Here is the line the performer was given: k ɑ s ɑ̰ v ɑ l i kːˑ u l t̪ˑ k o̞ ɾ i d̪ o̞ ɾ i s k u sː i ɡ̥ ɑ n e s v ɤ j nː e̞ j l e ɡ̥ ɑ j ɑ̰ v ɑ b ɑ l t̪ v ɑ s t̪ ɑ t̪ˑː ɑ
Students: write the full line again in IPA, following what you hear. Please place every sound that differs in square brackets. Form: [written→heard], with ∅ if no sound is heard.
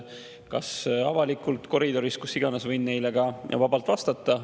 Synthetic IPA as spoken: k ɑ s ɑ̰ v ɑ l i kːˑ u l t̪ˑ k o̞ ɾ i d̪ o̞ ɾ i s k u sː i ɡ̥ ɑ n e s v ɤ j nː e̞ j l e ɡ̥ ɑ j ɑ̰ v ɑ b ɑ l t̪ v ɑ s t̪ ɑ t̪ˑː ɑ